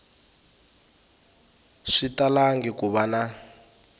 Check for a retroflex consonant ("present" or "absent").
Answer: present